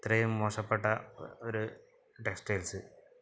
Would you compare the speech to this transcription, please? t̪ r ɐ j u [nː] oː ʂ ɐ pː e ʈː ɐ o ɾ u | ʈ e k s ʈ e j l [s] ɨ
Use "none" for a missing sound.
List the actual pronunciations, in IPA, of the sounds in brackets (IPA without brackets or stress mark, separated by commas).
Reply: mː, s